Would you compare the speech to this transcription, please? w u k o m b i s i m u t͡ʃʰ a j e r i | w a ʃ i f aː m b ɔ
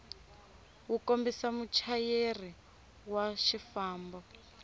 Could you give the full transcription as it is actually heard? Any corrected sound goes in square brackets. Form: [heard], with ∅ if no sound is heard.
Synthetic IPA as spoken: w u k o m b i s [a] m u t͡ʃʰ a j e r i | w a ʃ i f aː m b ɔ